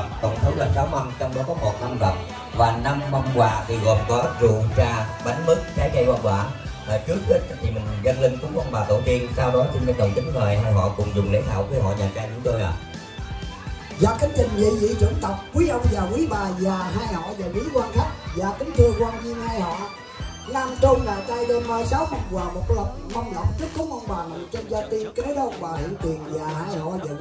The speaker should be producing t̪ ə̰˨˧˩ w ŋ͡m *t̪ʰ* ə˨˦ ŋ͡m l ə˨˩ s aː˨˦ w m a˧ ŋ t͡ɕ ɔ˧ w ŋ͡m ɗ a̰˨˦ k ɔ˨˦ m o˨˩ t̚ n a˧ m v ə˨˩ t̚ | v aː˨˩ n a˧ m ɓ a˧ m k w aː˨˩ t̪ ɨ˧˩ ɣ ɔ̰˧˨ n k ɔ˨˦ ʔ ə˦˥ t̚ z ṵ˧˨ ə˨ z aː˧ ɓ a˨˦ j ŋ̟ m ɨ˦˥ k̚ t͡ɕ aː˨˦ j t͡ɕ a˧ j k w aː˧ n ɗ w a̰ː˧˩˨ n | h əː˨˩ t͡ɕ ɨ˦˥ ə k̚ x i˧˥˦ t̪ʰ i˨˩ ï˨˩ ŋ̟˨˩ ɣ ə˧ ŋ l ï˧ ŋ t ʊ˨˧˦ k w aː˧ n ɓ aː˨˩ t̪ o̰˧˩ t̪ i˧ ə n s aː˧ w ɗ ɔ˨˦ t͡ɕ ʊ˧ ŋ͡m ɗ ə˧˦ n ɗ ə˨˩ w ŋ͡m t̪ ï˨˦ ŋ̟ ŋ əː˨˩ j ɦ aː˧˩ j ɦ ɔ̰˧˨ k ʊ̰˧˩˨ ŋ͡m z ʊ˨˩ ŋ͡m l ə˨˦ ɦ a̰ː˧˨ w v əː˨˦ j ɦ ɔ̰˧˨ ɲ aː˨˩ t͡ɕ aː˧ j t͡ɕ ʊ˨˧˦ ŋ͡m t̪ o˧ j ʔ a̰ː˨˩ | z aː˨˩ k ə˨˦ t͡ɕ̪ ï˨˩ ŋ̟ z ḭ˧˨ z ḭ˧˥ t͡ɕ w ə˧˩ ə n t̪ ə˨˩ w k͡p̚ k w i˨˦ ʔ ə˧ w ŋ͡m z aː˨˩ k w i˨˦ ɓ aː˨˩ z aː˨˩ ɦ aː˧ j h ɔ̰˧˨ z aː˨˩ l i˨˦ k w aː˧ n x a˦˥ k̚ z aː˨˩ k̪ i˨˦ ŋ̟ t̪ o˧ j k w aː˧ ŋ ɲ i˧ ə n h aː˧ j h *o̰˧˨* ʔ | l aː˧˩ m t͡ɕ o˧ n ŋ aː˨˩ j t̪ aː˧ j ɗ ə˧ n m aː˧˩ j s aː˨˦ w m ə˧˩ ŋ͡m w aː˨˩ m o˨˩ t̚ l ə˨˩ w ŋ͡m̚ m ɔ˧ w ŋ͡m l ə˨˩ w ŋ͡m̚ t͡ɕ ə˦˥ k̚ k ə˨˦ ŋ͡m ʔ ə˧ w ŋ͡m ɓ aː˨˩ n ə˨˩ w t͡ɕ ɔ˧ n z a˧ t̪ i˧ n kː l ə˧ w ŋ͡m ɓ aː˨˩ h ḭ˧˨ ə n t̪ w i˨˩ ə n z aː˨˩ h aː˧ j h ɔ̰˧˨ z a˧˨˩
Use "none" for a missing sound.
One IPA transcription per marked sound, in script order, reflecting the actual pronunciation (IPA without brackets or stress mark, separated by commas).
t̪ʰ, ɔ̰˧˨